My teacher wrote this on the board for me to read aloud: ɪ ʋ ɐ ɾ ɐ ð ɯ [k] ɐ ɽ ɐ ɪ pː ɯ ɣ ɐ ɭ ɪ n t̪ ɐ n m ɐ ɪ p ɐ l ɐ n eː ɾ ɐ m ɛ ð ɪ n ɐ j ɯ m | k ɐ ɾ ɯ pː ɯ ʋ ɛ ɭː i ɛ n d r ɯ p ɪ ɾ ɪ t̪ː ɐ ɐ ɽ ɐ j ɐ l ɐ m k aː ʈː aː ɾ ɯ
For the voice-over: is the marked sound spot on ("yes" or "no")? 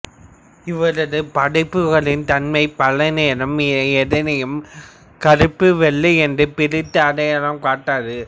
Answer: no